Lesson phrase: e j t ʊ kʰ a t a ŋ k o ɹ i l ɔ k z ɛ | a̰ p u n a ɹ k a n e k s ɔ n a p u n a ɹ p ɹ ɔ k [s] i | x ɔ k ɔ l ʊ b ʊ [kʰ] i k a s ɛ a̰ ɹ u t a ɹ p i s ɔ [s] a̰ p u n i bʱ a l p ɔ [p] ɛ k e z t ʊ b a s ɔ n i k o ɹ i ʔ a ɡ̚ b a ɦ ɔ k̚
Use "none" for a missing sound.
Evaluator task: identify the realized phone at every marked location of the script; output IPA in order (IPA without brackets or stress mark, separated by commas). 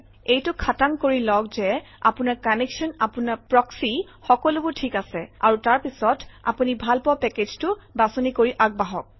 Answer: s, tʰ, t, p